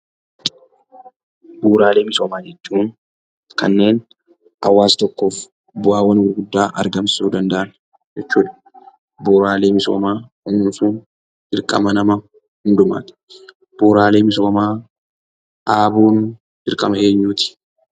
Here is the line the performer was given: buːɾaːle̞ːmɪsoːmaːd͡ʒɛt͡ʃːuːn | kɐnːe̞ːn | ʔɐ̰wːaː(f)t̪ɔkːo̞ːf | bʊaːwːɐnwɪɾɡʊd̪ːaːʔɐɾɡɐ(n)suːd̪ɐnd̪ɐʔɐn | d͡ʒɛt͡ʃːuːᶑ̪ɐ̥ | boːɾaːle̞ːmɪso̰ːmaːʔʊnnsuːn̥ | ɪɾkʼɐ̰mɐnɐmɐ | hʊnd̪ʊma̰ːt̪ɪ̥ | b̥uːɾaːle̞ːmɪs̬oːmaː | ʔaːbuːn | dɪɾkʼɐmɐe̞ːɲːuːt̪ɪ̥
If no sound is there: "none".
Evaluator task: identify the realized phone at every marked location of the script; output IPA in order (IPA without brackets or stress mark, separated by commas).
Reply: s, m